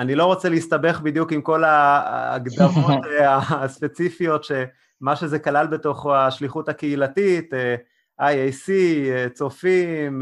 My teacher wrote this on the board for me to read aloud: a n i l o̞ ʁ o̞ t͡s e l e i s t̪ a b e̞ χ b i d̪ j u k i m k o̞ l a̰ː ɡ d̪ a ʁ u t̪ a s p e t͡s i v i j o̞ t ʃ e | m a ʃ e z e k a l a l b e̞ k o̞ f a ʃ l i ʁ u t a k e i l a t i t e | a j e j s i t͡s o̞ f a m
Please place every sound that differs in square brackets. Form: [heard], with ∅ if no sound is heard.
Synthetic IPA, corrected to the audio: a n i l o̞ ʁ o̞ t͡s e l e i s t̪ a b e̞ χ b i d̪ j u k i m k o̞ l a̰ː ɡ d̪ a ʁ [o] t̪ a s p e t͡s i [f] i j o̞ t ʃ e | m a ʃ e z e k a l a l b e̞ [t] o̞ [χ] a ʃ l i [χ] u t a k e i l a t i t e | a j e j s i t͡s o̞ f [i] m